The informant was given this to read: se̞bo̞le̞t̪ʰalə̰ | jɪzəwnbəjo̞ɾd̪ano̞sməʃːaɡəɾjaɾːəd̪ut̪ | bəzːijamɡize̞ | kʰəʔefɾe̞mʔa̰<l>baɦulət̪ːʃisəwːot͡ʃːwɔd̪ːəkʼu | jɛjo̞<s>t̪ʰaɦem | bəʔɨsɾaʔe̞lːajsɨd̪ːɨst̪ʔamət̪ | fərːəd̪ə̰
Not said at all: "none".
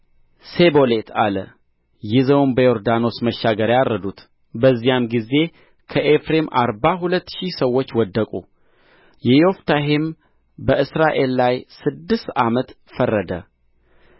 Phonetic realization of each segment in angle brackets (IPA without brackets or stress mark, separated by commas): ɾ, f